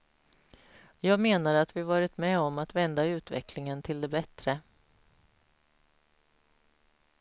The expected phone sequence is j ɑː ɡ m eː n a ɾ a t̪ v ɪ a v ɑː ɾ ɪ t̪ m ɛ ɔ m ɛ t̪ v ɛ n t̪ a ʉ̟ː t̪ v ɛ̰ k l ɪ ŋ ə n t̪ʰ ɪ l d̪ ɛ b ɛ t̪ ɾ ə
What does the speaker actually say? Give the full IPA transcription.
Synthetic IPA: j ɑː ɡ m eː n a ɾ a t̪ v ɪ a v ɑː ɾ ɪ t̪ m ɛ ɔ m a t̪ v ɛ n d̪ a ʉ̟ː t̪ v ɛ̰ k l ɪ ŋ ə n t̪ʰ ɪ l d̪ ɛ b ɛ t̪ ɾ ə